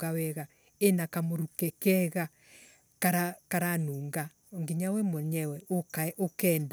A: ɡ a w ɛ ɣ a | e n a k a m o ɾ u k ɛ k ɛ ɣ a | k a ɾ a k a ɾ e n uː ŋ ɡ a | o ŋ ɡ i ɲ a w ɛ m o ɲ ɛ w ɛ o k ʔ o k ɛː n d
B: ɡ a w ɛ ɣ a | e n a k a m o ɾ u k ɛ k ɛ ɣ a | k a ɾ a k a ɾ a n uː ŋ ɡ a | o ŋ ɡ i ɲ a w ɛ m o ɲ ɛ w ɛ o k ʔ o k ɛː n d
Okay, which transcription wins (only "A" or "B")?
B